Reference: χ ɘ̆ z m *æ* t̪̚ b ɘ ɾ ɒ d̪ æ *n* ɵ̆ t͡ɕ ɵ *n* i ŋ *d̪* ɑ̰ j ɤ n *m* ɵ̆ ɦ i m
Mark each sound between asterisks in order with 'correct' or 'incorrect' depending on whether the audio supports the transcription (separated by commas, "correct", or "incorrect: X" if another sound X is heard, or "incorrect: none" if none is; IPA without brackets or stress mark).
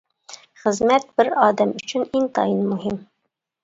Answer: correct, incorrect: m, correct, incorrect: t̪, correct